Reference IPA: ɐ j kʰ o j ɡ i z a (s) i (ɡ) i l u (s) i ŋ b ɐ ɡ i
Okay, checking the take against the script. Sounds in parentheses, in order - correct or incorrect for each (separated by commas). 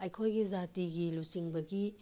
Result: incorrect, correct, correct